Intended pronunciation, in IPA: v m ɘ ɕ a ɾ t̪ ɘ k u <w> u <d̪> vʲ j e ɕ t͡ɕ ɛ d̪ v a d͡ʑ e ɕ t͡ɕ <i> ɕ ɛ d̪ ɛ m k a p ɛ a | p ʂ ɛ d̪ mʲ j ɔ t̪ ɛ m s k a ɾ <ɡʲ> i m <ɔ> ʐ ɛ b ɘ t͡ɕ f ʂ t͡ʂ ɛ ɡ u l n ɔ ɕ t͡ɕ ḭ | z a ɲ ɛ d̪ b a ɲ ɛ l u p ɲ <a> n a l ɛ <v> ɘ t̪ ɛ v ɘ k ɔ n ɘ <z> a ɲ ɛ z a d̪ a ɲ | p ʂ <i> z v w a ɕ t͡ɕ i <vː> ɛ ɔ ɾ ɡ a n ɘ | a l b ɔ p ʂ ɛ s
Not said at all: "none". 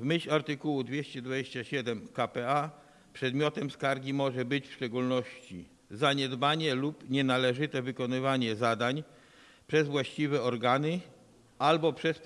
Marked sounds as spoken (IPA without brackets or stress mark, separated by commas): w, d̪, a, ɡʲ, ɔ, ɛ, ʐ, v, ɛ, v